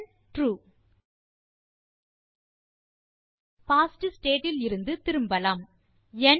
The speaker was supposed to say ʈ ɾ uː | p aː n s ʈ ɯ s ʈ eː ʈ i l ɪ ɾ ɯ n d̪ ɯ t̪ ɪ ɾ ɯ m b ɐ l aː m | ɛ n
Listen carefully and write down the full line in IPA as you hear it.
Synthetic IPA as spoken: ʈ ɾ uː | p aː s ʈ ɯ s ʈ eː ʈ ɪ l ɪ ɾ ɯ n d̪ ɯ t̪ ɪ ɾ ɯ m b ɐ l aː m | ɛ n